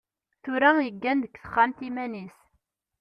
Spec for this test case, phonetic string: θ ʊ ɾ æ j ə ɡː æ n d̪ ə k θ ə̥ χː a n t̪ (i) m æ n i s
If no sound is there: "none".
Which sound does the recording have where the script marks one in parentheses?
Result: i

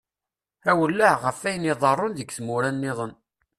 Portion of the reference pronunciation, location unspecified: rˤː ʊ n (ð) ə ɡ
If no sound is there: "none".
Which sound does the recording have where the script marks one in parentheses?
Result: ð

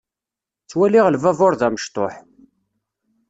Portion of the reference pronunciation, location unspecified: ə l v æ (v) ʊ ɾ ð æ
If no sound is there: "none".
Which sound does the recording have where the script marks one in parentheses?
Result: v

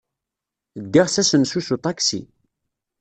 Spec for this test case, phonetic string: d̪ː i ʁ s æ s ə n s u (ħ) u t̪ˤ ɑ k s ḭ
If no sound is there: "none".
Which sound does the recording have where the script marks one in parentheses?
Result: s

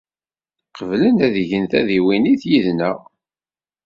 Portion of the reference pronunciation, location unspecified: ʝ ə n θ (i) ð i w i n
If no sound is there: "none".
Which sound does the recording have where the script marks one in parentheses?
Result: æ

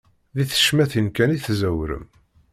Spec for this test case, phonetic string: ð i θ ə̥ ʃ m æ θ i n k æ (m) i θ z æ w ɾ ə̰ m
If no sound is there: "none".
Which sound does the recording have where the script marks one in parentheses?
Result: n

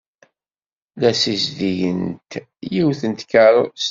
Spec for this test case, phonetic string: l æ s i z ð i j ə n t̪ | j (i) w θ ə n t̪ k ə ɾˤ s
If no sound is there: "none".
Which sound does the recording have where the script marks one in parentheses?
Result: i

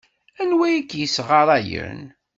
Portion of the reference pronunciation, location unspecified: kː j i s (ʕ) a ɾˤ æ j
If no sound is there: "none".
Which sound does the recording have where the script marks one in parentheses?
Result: ʁ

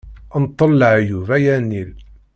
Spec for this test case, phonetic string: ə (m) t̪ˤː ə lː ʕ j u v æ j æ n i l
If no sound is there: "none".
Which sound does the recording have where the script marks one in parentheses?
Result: n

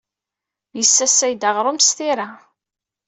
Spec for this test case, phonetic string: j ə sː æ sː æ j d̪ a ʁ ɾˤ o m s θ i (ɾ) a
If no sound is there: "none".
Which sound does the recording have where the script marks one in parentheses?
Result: ɾ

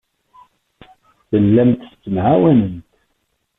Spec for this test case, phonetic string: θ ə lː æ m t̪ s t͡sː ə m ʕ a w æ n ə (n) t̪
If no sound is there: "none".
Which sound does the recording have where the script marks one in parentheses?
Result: n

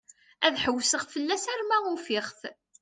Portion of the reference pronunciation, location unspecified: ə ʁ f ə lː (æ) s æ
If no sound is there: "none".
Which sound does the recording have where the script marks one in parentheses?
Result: æ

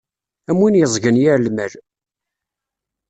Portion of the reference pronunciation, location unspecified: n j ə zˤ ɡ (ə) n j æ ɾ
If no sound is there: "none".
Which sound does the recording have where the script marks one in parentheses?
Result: ə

